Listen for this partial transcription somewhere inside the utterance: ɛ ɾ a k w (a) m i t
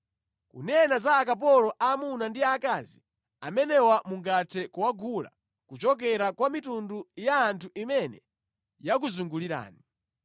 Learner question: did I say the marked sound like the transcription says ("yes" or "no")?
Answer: yes